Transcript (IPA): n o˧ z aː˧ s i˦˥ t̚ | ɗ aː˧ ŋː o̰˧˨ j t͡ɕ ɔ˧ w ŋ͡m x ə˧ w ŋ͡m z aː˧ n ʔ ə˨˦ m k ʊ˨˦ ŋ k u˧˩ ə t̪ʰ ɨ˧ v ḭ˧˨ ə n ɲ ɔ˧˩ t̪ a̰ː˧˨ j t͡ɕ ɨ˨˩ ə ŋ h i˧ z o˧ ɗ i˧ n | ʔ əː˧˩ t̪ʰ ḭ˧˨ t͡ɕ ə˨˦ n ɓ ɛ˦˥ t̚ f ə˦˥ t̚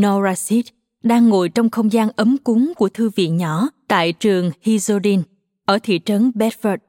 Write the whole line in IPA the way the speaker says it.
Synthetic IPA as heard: n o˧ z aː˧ s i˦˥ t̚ | ɗ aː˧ ŋː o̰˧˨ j t͡ɕ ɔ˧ w ŋ͡m x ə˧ w ŋ͡m z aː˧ n ʔ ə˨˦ m k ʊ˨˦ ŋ k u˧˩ ə t̪ʰ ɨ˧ v ḭ˧˨ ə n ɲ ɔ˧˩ t̪ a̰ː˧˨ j t͡ɕ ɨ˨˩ ə ŋ h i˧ z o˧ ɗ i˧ n | ʔ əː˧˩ t̪ʰ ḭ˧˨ t͡ɕ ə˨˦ n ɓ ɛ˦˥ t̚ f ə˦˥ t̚